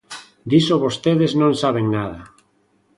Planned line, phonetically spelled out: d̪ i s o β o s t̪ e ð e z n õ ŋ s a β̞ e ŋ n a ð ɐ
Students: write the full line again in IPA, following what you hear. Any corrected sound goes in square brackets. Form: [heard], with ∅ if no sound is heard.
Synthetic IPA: d̪ i s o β o s t̪ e ð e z n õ ŋ s a β̞ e ŋ n a ð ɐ